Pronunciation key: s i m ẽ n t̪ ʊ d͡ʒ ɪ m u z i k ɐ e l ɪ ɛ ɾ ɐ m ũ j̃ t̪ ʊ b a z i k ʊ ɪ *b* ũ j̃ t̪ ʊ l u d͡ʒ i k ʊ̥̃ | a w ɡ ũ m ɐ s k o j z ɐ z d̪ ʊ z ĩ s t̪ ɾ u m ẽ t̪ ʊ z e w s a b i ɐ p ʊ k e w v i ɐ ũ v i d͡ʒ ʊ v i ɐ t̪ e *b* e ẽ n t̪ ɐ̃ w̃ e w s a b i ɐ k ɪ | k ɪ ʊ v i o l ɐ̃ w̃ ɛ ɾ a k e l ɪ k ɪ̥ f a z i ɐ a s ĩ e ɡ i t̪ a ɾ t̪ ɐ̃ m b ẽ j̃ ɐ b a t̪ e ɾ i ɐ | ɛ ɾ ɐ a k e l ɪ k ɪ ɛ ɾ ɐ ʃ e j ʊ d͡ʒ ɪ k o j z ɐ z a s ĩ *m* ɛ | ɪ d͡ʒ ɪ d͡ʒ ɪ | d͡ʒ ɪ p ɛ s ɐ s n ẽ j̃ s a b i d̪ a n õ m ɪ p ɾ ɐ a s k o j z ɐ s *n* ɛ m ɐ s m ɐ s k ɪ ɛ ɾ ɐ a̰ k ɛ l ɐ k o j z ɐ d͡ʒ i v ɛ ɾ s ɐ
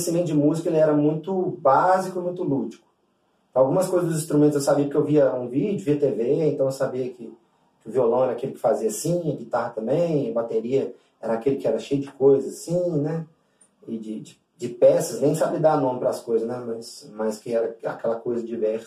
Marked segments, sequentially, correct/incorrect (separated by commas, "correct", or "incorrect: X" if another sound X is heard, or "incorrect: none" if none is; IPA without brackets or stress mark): incorrect: m, incorrect: v, incorrect: n, correct